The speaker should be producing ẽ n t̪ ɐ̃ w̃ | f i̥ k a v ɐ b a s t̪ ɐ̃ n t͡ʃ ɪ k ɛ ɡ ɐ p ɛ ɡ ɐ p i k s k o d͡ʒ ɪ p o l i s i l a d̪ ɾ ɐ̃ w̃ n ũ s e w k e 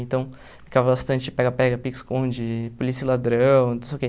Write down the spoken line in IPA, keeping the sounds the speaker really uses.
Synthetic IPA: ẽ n t̪ ɐ̃ w̃ | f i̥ k a v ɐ b a s t̪ ɐ̃ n t͡ʃ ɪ p ɛ ɡ ɐ p ɛ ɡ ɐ p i k s k õ d͡ʒ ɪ p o l i s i l a d̪ ɾ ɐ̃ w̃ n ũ s e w k e